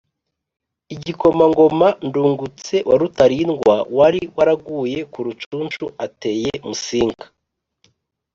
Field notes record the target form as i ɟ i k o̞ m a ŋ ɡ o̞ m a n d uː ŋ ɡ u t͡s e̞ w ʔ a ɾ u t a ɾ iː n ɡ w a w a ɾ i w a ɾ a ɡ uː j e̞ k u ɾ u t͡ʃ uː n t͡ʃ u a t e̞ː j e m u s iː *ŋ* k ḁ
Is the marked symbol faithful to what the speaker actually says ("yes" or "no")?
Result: yes